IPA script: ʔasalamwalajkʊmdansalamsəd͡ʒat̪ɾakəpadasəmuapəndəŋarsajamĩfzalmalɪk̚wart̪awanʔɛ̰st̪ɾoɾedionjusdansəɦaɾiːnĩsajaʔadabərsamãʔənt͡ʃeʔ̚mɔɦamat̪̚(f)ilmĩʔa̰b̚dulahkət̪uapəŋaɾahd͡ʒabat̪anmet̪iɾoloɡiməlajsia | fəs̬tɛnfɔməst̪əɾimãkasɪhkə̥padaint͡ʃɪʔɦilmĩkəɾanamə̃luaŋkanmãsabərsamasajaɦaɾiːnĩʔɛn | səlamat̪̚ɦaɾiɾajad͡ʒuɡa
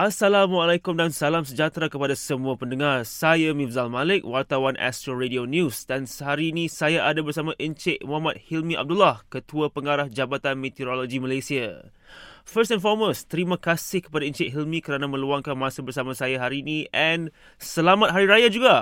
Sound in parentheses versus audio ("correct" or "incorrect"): incorrect